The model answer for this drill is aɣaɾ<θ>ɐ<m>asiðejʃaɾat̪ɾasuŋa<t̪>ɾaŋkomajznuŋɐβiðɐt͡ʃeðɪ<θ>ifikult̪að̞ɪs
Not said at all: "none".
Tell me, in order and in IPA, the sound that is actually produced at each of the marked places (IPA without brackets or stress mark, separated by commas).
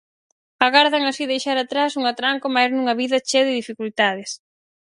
ð, ŋ, t̪, ð